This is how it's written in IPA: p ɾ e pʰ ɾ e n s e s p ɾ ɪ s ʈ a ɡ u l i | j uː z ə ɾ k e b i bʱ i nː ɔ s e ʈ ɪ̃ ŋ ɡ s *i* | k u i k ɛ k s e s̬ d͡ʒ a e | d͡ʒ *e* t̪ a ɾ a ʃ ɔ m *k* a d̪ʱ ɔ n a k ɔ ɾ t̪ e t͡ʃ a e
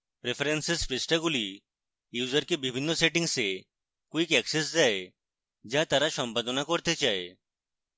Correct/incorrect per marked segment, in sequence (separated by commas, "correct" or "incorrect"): incorrect, incorrect, incorrect